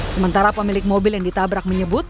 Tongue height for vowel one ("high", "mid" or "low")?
mid